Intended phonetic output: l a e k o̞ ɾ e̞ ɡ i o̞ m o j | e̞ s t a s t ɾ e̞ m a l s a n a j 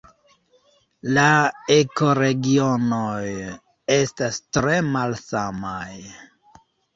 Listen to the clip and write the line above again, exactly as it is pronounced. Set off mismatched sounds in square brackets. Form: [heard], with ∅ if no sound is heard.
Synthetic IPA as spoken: l a e k o̞ ɾ e̞ ɡ i o̞ [n] o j | e̞ s t a s t ɾ e̞ m a l s a [m] a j